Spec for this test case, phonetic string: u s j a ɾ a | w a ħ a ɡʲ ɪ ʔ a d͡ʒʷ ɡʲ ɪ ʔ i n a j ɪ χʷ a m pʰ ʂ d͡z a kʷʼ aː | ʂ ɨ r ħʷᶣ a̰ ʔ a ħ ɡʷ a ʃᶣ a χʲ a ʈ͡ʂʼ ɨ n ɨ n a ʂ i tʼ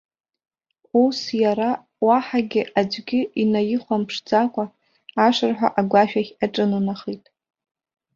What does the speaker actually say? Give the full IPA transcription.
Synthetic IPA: u s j a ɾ a | w a ħ a ɡʲ ɪ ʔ a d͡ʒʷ ɡʲ ɪ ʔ i n a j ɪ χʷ a m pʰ ʂ d͡z a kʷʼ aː | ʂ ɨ r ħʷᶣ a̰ ʔ a ɡʷ a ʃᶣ a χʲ a ʈ͡ʂʼ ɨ n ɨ n a χ i tʼ

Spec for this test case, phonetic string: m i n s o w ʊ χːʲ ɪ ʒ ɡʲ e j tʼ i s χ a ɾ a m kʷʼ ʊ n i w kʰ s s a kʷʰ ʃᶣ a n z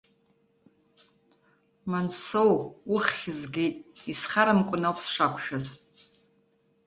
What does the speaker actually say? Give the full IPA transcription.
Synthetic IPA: m a n s o w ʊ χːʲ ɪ z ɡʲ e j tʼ i s χ a ɾ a m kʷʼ ʊ n a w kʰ s ʂ a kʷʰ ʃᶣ a z

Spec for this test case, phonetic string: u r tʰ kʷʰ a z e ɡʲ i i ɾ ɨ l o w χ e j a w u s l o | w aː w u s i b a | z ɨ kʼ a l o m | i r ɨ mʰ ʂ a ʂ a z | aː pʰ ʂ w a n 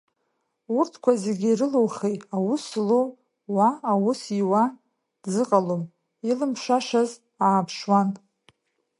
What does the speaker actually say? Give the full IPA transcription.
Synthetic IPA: u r tʰ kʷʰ a z e ɡʲ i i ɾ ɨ l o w χ e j a w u s l o | w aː w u s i w a | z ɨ qʼ a l o m | i l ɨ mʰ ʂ a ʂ a z | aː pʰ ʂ w a n

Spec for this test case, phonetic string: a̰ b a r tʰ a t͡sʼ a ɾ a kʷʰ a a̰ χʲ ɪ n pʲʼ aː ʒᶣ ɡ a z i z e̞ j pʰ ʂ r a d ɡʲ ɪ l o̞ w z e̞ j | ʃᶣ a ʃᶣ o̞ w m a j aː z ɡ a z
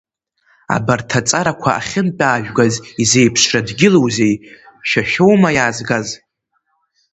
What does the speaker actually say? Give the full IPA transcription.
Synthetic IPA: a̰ b a r tʰ a t͡sʼ a ɾ a kʷʰ a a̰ χʲ ɪ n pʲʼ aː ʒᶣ ɡ a z i z e̞ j pʰ ʂ r a d ɡʲ ɪ l o̞ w z e̞ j | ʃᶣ a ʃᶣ o̞ w m a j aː z ɡ a z

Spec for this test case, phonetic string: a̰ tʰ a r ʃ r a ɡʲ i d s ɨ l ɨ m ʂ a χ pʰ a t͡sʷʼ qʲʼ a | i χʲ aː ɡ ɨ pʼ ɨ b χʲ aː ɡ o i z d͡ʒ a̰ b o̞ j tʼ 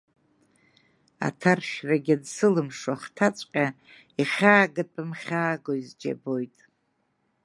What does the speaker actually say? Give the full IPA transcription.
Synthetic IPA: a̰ tʰ a r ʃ r a ɡʲ a d s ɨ l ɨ m ʂ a χ tʰ a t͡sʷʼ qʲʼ a | i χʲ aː ɡ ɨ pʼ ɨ m χʲ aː ɡ o i z d͡ʒ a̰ b o̞ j tʼ

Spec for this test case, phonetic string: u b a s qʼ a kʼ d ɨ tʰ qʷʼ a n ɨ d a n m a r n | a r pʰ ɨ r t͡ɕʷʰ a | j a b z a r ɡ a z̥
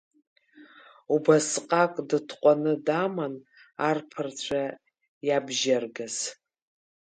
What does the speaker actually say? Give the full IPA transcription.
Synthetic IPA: u b a s qʼ a kʼ d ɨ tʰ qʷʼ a n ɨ d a m a n | a r pʰ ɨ r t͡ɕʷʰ a | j a b ʒ a r ɡ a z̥

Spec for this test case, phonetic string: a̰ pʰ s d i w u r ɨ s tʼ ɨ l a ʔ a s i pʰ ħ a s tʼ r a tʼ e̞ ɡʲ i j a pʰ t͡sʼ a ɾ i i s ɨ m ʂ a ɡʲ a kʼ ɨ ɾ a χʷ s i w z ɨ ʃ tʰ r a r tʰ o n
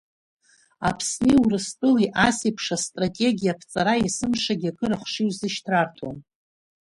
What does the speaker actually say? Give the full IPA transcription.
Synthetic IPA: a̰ pʰ s n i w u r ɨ s tʼ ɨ l i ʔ a s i pʰ ʂ a s tʼ r a tʼ e̞ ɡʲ i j a pʰ t͡sʼ a ɾ a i s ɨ m ʂ a ɡʲ a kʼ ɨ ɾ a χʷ ʂ i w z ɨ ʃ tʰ r a r tʰ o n

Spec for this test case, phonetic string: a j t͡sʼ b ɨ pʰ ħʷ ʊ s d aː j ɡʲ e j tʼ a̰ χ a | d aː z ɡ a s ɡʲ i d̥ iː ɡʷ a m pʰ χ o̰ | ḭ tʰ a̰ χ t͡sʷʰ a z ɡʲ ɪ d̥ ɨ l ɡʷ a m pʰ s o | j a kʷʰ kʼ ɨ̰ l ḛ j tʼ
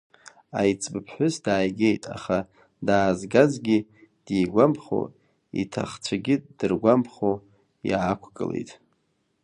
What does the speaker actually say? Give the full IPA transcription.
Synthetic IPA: a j t͡sʼ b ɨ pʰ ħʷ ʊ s d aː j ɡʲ e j tʼ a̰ χ a | d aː z ɡ a z ɡʲ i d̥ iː ɡʷ a m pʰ χ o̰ | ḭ tʰ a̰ χ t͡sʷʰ a ɡʲ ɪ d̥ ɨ r ɡʷ a m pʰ χ o | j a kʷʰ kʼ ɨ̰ l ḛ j tʼ

